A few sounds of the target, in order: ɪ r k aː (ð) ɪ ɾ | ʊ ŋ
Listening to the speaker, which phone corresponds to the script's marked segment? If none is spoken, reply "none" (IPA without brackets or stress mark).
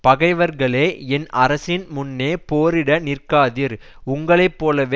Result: ð